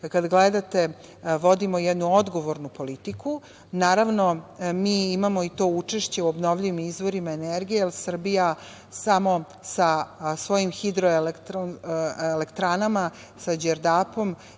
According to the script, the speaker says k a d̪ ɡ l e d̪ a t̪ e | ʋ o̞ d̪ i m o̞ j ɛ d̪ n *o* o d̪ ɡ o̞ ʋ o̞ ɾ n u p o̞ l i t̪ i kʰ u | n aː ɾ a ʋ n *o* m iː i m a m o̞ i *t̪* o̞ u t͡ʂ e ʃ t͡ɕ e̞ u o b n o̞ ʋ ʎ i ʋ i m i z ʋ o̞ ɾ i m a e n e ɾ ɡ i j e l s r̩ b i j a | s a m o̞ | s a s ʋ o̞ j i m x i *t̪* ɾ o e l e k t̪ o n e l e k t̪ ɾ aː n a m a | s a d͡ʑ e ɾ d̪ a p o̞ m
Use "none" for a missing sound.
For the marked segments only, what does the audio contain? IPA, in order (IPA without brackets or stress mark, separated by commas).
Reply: u, o, t̪, d̪